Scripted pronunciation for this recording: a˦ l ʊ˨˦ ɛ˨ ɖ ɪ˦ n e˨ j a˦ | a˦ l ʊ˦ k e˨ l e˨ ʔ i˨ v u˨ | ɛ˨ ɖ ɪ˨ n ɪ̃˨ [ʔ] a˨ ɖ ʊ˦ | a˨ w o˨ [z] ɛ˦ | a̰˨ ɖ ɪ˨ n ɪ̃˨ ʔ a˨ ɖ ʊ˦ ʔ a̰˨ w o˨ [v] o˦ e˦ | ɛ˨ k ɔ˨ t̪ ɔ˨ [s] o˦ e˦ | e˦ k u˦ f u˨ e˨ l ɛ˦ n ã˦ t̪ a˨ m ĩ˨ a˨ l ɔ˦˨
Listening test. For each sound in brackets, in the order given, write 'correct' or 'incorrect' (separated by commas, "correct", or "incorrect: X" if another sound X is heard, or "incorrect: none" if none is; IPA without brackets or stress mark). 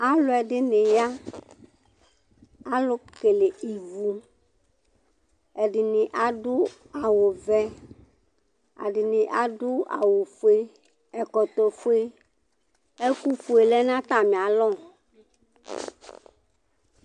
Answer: correct, incorrect: v, incorrect: f, incorrect: f